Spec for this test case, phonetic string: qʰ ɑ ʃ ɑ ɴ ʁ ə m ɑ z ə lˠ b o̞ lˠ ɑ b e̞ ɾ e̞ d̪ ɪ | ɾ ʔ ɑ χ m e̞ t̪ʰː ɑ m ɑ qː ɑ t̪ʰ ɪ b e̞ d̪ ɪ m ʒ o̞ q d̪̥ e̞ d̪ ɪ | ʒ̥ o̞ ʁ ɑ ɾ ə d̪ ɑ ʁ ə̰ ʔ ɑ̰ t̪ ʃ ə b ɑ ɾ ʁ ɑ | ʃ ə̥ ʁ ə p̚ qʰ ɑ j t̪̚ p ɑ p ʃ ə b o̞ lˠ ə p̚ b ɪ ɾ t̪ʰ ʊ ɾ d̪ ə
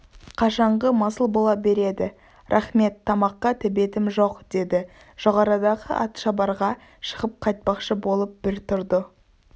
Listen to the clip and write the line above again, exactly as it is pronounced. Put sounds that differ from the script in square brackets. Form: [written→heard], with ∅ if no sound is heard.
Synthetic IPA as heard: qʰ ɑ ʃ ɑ ɴ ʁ ə m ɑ [z→s] ə lˠ b o̞ lˠ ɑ b e̞ ɾ e̞ d̪ ɪ | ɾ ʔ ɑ χ m e̞ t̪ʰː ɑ m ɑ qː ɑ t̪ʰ ɪ b e̞ [d̪→t̪] ɪ m ʒ o̞ q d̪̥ e̞ d̪ ɪ | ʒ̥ o̞ ʁ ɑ ɾ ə d̪ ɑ ʁ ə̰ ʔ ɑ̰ t̪ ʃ [ə→ɑ] b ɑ ɾ ʁ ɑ | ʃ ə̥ ʁ ə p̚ qʰ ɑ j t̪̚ p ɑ [p→q] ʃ ə b o̞ lˠ ə p̚ b ɪ ɾ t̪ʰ ʊ ɾ d̪ ə